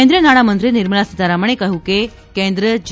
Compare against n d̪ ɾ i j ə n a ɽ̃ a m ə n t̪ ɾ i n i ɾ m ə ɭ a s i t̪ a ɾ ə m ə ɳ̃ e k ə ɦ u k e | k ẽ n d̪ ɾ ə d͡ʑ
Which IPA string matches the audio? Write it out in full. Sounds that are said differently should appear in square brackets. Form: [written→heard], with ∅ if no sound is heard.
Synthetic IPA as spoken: n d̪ ɾ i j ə n a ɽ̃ a m ə n t̪ ɾ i n i ɾ m ə ɭ a s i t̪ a ɾ [ə→a] m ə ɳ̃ e k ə ɦ u k e | k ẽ n d̪ ɾ ə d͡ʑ